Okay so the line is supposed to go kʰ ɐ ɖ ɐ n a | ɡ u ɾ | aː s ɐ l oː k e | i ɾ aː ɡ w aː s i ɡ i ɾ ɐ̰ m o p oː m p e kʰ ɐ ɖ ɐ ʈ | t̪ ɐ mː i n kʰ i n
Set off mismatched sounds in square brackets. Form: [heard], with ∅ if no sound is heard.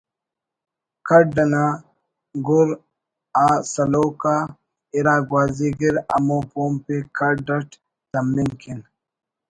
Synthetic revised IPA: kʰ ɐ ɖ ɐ n a | ɡ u ɾ | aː s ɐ l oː k [a] | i ɾ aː ɡ w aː [z] i ɡ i ɾ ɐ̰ m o p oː m p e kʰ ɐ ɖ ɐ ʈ | t̪ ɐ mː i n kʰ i n